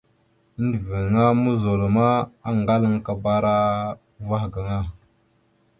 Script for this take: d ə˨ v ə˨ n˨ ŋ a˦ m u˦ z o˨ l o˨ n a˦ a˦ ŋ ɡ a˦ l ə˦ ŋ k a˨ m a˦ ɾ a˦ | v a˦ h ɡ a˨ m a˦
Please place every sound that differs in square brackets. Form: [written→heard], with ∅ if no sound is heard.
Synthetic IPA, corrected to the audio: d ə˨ v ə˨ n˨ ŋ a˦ m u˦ z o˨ l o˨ [n→m] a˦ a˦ ŋ ɡ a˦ l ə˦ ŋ k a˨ [m→b] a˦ ɾ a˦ | v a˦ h ɡ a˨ [m→ŋ] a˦